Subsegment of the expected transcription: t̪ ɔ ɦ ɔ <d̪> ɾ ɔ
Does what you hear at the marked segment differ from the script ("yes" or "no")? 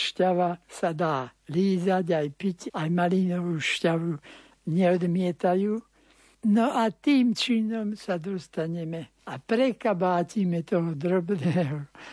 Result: no